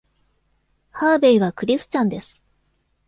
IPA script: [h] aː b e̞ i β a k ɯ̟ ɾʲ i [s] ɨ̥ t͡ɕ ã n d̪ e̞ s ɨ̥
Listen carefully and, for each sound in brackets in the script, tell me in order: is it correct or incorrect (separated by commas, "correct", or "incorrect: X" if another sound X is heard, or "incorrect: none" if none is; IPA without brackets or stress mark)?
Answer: correct, correct